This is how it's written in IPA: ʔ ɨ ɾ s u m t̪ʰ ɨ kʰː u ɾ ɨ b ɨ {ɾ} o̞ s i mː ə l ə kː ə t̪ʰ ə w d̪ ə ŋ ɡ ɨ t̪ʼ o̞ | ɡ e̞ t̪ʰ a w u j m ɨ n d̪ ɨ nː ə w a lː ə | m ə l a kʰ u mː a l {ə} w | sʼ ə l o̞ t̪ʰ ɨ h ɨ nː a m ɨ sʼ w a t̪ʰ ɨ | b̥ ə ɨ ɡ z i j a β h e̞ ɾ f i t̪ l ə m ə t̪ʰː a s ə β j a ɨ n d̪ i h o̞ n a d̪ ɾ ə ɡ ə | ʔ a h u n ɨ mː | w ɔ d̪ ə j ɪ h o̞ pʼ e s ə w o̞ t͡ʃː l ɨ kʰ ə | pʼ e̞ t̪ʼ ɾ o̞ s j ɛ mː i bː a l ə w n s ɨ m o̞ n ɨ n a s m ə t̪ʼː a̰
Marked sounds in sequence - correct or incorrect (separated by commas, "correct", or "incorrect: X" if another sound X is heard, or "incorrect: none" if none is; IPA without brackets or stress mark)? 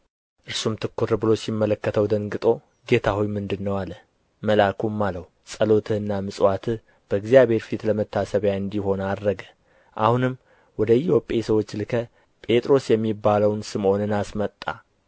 incorrect: l, correct